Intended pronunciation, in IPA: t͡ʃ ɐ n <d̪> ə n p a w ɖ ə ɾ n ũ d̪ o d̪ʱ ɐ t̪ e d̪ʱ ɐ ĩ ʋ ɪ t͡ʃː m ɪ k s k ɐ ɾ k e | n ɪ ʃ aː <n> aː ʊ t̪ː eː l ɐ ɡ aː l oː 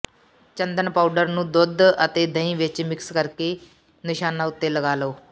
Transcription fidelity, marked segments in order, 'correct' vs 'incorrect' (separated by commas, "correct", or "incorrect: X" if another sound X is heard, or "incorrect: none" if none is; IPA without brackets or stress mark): correct, correct